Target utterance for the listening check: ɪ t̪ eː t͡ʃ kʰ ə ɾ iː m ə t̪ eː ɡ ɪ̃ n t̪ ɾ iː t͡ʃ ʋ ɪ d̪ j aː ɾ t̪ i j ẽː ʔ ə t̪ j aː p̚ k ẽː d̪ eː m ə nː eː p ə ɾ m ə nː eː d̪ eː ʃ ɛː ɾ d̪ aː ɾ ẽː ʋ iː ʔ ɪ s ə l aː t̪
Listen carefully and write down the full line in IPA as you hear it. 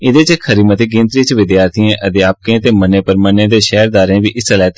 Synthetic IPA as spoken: ɪ d̪ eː t͡ʃ kʰ ə ɾ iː m ə t̪ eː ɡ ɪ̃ n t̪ ɾ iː t͡ʃ ʋ ɪ d̪ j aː ɾ t̪ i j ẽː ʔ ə d̪ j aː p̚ k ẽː t̪ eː m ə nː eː p ə ɾ m ə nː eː d̪ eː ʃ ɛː ɾ d̪ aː ɾ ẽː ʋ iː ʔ ɪ s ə l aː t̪